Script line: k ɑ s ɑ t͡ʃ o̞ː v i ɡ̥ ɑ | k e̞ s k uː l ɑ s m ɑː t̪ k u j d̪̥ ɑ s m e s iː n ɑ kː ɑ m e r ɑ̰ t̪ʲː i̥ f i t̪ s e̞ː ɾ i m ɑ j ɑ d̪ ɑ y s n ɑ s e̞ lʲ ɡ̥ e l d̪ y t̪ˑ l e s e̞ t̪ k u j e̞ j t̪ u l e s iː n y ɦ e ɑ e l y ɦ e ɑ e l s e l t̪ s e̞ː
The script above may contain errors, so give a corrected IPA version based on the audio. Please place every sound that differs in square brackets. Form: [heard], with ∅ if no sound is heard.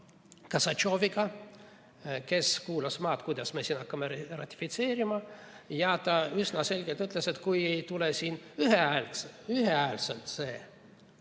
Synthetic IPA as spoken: k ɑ s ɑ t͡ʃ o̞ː v i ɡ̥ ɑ | k e̞ s k uː l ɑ s m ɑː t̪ k u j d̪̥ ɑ s m e s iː n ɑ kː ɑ m e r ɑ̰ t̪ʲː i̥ f i t̪ s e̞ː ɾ i m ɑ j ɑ [t̪] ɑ y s n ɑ s e̞ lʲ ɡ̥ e l [t̪] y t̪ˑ l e s e̞ t̪ k u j e̞ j t̪ u l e s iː n y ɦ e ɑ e l y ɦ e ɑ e l s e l t̪ s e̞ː